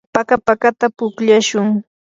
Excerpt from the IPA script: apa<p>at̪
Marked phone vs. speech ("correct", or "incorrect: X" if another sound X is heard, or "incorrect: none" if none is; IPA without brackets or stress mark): incorrect: k